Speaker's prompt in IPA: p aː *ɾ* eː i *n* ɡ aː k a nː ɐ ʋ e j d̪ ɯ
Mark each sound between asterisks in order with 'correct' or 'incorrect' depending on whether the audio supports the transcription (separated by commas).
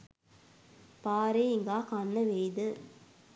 correct, incorrect